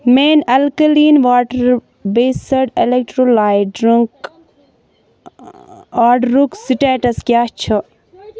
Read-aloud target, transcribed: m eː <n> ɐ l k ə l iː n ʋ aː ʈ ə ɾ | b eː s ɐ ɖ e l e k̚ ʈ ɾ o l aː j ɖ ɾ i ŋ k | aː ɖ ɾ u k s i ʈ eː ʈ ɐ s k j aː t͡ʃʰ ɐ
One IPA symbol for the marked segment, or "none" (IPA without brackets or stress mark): n